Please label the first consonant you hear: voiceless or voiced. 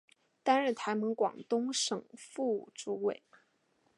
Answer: voiceless